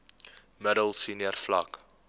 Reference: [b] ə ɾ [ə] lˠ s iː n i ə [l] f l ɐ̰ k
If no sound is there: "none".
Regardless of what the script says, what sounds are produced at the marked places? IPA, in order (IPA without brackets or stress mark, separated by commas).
m, ə, r